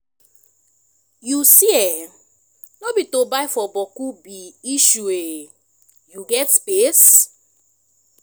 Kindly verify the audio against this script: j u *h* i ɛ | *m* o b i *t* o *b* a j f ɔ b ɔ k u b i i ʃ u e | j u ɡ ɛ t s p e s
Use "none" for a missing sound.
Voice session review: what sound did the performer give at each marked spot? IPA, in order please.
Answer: s, n, t, b

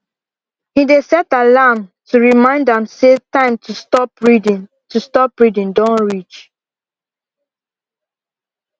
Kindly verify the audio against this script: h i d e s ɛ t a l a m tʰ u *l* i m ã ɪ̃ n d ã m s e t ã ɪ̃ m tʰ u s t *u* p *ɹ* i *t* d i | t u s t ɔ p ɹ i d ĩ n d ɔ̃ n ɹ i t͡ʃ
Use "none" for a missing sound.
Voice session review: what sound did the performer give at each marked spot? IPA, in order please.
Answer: ɹ, ɔ, ɹ, none

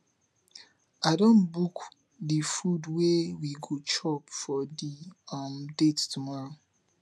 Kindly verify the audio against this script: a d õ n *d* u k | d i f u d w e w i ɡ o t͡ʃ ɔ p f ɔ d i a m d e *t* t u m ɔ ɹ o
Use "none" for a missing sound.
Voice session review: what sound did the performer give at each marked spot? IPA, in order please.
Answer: b, t

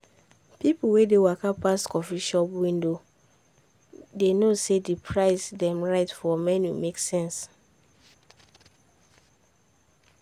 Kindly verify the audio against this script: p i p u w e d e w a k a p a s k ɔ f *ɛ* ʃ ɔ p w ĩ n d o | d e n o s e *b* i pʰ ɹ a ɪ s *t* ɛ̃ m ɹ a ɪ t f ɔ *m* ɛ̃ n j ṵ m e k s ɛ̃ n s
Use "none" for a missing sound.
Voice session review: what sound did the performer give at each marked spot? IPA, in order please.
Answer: i, d, d, m

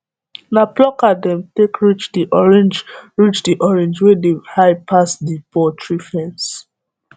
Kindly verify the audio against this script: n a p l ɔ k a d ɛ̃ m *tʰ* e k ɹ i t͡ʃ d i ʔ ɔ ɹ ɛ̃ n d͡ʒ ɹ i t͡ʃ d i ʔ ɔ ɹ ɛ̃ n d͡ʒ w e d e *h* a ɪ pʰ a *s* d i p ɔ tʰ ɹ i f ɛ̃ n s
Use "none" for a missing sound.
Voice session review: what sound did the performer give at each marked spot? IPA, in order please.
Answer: t, h, s

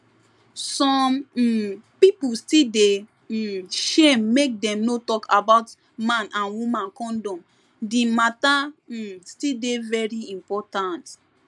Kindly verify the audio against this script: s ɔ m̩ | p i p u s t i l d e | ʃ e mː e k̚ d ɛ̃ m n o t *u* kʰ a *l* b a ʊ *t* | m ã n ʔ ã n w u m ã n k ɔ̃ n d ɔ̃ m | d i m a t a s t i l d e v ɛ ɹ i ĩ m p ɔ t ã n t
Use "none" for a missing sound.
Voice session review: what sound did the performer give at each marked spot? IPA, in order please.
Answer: ɔ, none, t

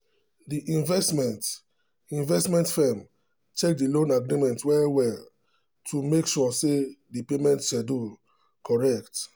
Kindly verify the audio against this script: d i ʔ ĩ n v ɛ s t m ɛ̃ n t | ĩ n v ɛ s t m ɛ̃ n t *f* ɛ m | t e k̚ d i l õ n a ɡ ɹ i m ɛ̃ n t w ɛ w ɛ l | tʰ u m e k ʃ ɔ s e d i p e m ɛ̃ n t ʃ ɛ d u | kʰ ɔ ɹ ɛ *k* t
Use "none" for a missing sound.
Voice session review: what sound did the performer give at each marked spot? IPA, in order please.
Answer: f, k

